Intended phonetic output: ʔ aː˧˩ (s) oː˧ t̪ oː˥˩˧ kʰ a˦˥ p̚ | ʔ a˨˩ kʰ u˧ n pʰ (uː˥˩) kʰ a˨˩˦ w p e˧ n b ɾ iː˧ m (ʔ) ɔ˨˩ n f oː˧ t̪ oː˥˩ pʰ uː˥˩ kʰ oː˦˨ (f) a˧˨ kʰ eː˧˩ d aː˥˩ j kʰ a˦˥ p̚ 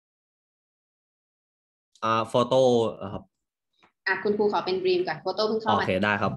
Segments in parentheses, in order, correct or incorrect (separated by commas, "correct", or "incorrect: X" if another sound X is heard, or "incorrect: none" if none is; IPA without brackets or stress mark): incorrect: f, incorrect: uː˧, incorrect: k, incorrect: none